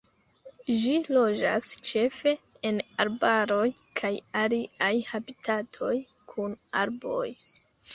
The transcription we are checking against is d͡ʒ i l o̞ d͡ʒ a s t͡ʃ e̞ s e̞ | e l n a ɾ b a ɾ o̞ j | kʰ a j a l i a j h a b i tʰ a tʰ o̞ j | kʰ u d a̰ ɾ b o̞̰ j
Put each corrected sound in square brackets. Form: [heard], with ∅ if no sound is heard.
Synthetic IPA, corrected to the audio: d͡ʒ i l o̞ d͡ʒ a s t͡ʃ e̞ [f] e̞ | e [∅] n a ɾ b a ɾ o̞ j | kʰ a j a l i a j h a b i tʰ a tʰ o̞ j | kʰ u [n] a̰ ɾ b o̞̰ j

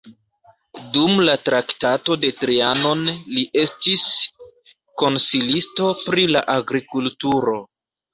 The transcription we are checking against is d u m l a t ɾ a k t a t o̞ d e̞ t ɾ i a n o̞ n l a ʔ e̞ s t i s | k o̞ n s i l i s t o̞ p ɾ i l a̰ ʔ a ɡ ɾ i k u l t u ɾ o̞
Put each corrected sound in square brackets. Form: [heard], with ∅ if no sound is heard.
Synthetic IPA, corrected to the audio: d u m l a t ɾ a k t a t o̞ d e̞ t ɾ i a n o̞ n l [i] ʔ e̞ s t i s | k o̞ n s i l i s t o̞ p ɾ i l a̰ ʔ a ɡ ɾ i k u l t u ɾ o̞

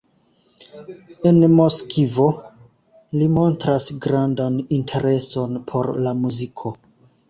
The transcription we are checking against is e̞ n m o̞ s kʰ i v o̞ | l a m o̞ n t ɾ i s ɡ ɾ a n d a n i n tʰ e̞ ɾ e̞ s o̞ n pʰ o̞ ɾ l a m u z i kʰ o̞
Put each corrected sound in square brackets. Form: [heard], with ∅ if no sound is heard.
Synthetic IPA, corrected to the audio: e̞ n m o̞ s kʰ i v o̞ | l [i] m o̞ n t ɾ [a] s ɡ ɾ a n d a n i n tʰ e̞ ɾ e̞ s o̞ n pʰ o̞ ɾ l a m u z i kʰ o̞

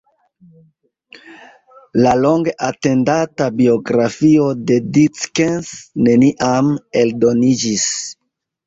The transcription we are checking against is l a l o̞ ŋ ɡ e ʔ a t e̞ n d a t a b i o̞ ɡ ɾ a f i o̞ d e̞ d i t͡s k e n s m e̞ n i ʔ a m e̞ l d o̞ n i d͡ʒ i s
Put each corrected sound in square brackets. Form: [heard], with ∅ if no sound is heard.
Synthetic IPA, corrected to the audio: l a l o̞ ŋ ɡ e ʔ a t e̞ n d a t a b i o̞ ɡ ɾ a f i o̞ d e̞ d i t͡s k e n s [n] e̞ n i ʔ a m e̞ l d o̞ n i d͡ʒ i s

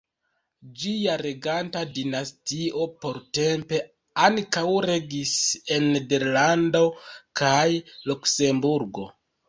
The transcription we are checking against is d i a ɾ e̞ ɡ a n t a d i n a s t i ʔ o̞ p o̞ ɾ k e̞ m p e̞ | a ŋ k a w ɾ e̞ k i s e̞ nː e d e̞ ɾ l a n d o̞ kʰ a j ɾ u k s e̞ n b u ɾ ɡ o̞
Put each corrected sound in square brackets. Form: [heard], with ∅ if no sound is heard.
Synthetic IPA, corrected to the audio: [d͡ʒ] i a ɾ e̞ ɡ a n t a d i n a s t i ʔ o̞ p o̞ ɾ [t] e̞ m p e̞ | a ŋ k a w ɾ e̞ [ɡ] i s e̞ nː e d e̞ ɾ l a n d o̞ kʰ a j [l] u k s e̞ [m] b u ɾ ɡ o̞

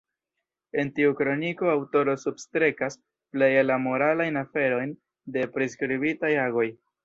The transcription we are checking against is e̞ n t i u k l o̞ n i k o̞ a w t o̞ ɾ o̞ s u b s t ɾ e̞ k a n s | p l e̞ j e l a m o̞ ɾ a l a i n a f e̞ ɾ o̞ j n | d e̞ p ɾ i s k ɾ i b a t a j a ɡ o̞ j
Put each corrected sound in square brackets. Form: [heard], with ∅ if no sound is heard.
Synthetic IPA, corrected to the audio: e̞ n t i u k [ɾ] o̞ n i k o̞ a w t o̞ ɾ o̞ s u b s t ɾ e̞ k a [∅] s | p l e̞ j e l a m o̞ ɾ a l a [j] n a f e̞ ɾ o̞ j n | d e̞ p ɾ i s k ɾ i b [i] t a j a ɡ o̞ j

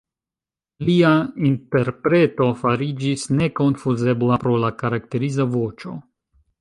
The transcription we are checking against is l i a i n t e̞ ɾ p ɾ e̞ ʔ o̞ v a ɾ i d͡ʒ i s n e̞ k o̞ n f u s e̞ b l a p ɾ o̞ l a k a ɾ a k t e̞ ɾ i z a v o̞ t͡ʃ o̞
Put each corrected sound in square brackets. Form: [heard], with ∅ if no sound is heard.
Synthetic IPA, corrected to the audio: l i a i n t e̞ ɾ p ɾ e̞ [t] o̞ [f] a ɾ i d͡ʒ i s n e̞ k o̞ n f u [z] e̞ b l a p ɾ o̞ l a k a ɾ a k t e̞ ɾ i z a v o̞ t͡ʃ o̞

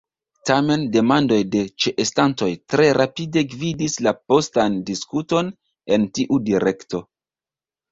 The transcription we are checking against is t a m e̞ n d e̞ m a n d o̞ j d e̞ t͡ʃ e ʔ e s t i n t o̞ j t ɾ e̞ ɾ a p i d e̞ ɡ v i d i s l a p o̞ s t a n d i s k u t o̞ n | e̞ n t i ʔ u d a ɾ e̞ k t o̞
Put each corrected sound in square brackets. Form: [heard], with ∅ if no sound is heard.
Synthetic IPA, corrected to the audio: t a m e̞ n d e̞ m a n d o̞ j d e̞ t͡ʃ e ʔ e s t [a] n t o̞ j t ɾ e̞ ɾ a p i d e̞ ɡ v i d i s l a p o̞ s t a n d i s k u t o̞ n | e̞ n t i ʔ u d [i] ɾ e̞ k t o̞

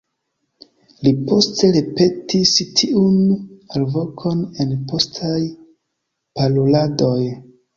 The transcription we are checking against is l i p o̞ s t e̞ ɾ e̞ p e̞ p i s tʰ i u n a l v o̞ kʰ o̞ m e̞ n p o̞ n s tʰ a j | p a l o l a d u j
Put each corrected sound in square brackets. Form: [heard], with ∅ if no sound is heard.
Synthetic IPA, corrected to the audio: l i p o̞ s t e̞ ɾ e̞ p e̞ [t] i s tʰ i u n a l v o̞ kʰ o̞ [n] e̞ n p o̞ [∅] s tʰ a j | p a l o l a d [o] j

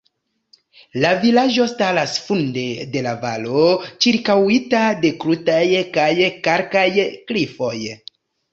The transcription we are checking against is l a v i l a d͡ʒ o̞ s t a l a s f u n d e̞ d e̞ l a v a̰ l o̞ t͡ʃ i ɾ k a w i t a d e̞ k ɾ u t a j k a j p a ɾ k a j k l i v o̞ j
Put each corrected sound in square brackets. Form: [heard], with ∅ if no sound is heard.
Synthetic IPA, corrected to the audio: l a v i l a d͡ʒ o̞ s t a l a s f u n d e̞ d e̞ l a v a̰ l o̞ t͡ʃ i ɾ k a w i t a d e̞ k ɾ u t a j k a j [k] a ɾ k a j k l i [f] o̞ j

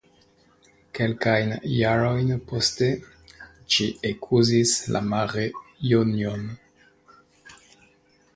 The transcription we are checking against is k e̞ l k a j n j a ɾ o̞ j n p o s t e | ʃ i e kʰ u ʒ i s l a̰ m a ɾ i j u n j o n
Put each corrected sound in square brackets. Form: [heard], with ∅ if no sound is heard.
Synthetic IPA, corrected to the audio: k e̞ l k a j n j a ɾ o̞ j n p o s t e | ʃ i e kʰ u [z] i s l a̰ m a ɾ [e] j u n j o n

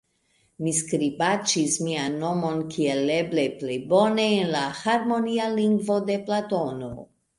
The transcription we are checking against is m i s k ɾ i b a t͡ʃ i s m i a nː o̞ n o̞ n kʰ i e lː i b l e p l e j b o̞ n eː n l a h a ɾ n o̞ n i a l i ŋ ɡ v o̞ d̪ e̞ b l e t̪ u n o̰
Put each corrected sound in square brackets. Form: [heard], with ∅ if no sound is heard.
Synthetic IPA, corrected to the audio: m i s k ɾ i b a t͡ʃ i s m i a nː o̞ [m] o̞ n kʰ i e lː [e] b l e p l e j b o̞ n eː n l a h a ɾ [m] o̞ n i a l i ŋ ɡ v o̞ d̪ e̞ [p] l [a] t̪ [o] n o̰

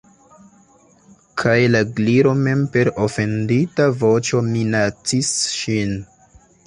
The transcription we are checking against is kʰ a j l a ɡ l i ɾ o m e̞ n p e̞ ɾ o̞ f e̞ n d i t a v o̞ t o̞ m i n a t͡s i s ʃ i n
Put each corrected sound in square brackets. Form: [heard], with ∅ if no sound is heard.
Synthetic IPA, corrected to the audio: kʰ a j l a ɡ l i ɾ o m e̞ [m] p e̞ ɾ o̞ f e̞ n d i t a v o̞ [t͡ʃ] o̞ m i n a t͡s i s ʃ i n

